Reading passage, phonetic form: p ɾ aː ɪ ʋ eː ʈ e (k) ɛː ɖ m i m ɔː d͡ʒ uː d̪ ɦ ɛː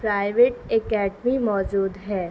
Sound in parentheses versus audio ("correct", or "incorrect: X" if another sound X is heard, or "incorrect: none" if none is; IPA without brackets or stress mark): correct